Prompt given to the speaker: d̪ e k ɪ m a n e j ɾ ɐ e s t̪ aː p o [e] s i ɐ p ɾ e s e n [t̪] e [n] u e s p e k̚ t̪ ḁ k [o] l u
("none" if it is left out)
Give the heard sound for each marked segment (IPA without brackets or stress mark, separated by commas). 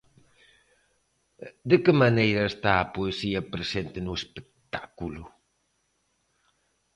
e, t̪, n, u